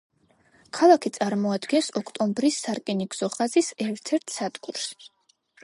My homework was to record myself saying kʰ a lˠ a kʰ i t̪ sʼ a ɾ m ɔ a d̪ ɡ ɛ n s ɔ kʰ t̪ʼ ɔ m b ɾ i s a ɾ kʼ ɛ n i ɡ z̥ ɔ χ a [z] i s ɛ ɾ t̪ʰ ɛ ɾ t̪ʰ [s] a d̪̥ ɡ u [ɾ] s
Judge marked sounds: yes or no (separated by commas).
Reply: yes, yes, yes